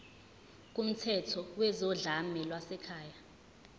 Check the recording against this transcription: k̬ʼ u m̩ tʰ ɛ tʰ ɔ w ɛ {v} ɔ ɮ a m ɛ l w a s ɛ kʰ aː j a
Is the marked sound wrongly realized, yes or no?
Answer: yes